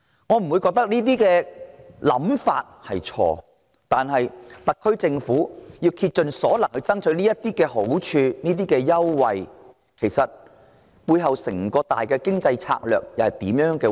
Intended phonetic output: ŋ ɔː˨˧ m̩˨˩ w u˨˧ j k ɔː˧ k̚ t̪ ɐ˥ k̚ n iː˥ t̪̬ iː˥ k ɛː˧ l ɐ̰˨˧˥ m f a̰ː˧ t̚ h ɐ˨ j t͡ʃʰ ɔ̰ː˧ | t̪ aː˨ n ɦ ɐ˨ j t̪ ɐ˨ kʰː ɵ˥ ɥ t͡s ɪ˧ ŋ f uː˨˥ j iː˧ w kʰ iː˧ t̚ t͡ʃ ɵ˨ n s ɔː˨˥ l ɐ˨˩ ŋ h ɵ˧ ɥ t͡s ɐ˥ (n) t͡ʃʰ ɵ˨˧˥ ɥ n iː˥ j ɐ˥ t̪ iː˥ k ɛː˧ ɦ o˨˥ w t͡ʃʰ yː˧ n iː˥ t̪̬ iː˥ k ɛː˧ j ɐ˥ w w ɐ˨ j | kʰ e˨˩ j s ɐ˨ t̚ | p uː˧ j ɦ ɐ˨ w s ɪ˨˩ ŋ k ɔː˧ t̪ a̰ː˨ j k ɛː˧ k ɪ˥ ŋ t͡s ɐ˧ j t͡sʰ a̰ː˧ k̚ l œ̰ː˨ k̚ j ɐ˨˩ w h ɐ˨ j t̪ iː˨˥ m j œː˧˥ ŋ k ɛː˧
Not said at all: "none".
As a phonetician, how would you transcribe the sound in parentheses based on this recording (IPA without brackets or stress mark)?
ŋ